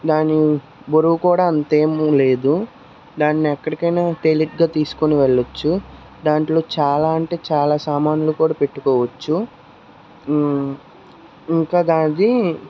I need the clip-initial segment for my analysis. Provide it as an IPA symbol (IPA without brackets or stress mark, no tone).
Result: d̪